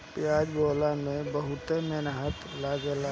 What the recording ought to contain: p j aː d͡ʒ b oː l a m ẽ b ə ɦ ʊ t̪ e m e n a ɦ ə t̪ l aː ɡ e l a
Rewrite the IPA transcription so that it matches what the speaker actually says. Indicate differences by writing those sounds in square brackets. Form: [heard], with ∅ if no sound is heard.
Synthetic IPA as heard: p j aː d͡ʒ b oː l a m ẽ b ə ɦ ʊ t̪ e m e n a ɦ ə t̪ l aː ɡ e l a